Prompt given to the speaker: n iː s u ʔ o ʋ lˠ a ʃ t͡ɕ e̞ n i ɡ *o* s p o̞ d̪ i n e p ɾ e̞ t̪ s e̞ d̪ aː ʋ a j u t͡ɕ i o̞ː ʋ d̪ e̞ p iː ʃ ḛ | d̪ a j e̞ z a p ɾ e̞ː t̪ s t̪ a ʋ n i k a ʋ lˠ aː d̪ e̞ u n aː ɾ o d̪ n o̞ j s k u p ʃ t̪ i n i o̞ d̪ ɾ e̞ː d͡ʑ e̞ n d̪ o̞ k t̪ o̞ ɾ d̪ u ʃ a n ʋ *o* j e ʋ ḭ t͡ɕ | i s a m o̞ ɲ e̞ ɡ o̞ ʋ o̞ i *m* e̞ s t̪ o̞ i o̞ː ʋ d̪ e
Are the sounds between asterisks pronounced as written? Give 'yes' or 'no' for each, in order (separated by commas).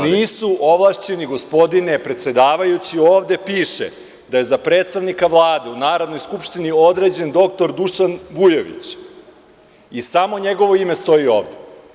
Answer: yes, no, yes